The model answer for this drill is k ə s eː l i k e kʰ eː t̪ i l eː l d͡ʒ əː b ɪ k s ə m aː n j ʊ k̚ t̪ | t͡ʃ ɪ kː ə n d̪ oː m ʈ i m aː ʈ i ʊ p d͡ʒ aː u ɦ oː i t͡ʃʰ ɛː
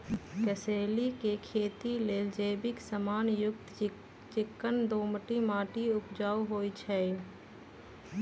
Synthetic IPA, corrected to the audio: k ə s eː l i k e kʰ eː t̪ i l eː l d͡ʒ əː b ɪ k s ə m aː n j ʊ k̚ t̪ | t͡ʃ ɪ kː ə n d̪ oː m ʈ i m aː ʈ i ʊ p d͡ʒ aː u ɦ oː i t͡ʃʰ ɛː